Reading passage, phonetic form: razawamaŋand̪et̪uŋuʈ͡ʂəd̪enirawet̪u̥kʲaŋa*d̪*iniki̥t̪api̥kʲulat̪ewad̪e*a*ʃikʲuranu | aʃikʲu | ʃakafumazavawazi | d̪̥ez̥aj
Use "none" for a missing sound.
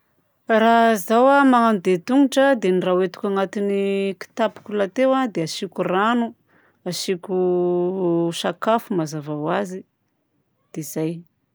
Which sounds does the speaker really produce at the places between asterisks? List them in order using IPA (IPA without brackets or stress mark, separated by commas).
t̪, a